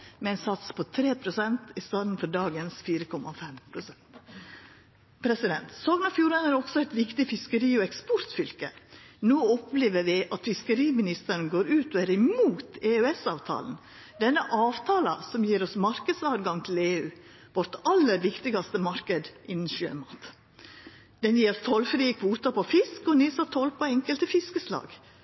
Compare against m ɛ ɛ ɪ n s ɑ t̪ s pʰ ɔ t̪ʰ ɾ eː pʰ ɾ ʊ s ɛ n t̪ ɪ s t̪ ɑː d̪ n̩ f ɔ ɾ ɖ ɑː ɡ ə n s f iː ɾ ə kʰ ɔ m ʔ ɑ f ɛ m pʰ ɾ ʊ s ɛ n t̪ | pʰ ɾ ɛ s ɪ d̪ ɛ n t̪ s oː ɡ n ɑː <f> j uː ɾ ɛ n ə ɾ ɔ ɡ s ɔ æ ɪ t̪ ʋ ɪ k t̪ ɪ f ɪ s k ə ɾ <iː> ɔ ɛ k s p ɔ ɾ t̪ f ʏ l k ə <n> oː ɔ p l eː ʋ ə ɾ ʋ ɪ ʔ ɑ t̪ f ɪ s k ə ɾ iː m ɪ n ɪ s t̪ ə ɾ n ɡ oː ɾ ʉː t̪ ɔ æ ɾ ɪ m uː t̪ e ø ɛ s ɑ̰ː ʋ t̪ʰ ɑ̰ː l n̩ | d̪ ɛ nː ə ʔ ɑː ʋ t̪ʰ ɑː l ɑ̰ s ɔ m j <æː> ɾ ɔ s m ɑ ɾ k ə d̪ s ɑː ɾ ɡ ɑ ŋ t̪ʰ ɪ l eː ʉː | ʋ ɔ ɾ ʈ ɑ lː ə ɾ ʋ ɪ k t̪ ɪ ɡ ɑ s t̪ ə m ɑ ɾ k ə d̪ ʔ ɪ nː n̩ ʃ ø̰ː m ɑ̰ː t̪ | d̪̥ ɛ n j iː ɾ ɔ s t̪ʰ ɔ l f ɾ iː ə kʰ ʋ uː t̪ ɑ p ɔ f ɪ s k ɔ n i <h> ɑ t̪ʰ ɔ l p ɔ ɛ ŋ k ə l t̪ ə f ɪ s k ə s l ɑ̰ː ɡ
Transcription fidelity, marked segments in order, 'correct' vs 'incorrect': correct, correct, correct, incorrect: iː, incorrect: s

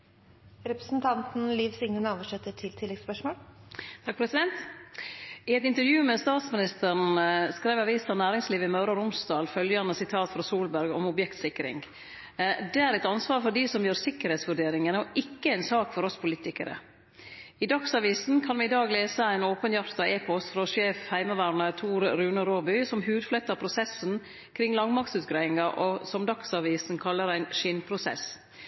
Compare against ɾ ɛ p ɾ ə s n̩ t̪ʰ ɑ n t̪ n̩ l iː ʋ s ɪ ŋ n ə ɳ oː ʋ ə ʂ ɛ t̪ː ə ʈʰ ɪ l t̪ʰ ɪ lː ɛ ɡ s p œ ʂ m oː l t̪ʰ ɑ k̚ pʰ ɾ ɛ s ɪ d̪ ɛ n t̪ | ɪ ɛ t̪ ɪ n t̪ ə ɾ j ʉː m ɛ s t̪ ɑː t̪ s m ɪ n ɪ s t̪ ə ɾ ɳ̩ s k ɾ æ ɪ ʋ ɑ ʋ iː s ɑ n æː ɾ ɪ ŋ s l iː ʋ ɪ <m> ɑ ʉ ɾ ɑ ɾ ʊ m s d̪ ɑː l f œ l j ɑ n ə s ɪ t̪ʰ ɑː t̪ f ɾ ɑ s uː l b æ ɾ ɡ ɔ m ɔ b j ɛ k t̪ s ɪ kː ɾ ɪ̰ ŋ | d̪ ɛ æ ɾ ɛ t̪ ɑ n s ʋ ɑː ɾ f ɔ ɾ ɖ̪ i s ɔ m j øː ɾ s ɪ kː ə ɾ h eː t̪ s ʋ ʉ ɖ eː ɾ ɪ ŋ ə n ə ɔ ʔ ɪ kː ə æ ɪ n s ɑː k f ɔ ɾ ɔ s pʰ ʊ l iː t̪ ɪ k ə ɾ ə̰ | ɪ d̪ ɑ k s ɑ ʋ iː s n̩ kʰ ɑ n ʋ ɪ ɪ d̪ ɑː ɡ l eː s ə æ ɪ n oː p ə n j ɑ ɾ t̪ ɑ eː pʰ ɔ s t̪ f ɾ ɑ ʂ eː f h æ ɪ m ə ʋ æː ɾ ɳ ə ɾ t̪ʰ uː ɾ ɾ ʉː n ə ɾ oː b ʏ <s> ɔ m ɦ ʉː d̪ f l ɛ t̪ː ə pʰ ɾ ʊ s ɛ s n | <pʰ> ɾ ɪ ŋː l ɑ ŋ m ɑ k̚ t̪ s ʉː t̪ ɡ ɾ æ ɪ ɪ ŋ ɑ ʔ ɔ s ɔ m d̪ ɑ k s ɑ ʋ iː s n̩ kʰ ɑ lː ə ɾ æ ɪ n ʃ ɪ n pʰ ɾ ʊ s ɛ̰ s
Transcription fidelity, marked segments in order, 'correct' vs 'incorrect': correct, correct, incorrect: kʰ

